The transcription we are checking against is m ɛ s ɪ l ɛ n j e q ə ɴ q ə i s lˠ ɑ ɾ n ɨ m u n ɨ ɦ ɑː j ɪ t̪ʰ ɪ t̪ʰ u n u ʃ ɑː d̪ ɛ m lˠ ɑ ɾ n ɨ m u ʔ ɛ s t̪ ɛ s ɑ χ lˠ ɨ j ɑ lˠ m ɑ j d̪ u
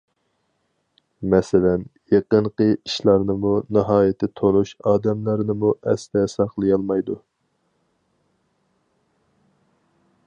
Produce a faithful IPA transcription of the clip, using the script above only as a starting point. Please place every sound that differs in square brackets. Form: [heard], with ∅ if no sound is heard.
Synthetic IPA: m ɛ s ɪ l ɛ n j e q ə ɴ q ə i [ʃ] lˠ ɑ ɾ n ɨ m u n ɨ ɦ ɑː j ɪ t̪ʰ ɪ t̪ʰ [o] n u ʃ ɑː d̪ ɛ m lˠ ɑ ɾ n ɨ m u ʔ ɛ s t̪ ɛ s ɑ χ lˠ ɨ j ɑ lˠ m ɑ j d̪ u